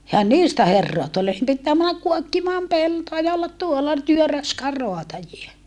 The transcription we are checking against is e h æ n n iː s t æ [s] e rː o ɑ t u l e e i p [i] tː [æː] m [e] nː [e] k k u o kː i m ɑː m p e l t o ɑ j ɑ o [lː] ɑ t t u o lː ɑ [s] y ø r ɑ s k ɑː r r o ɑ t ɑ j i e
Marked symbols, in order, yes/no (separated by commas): no, yes, yes, no, no, yes, no